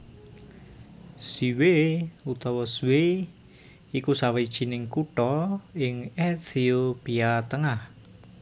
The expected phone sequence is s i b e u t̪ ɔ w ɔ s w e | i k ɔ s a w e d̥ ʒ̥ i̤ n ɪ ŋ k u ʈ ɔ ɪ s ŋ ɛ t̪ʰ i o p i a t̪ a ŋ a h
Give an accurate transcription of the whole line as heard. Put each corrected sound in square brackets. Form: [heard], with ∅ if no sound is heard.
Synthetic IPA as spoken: s i [w] e u t̪ ɔ w ɔ s w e | i k [u] s a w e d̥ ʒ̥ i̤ n ɪ ŋ k u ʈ ɔ ɪ [∅] ŋ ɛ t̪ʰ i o p i a t̪ [ə] ŋ a h